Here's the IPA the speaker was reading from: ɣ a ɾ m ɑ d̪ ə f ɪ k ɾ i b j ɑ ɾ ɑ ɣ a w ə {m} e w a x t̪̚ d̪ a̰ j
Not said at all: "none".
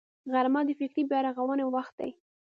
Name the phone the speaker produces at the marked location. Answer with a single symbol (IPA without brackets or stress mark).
n